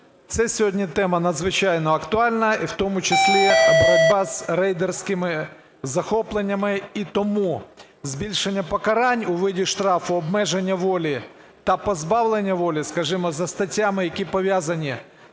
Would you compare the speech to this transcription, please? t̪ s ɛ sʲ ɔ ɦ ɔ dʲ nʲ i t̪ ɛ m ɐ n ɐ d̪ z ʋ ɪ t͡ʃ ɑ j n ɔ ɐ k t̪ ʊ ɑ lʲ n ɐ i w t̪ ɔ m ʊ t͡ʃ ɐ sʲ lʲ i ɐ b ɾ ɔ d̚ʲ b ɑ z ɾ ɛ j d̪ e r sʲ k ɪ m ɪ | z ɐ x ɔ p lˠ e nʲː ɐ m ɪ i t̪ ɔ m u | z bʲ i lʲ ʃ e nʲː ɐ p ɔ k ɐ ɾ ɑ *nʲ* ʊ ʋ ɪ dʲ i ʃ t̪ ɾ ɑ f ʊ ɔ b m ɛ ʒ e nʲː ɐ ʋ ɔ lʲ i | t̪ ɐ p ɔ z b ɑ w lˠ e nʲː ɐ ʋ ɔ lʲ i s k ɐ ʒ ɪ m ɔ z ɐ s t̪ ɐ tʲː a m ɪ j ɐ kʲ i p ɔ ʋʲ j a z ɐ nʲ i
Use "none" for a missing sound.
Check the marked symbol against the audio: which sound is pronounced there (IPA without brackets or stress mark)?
nʲ